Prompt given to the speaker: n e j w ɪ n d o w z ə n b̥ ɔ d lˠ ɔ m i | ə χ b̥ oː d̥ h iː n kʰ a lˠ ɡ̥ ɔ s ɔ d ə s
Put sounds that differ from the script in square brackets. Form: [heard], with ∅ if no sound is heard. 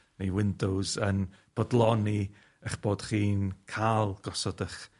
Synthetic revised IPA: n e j w ɪ n d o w z ə n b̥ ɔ d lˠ ɔ [n] i | ə χ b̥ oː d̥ [χ] iː n kʰ a lˠ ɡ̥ ɔ s ɔ d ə [χ]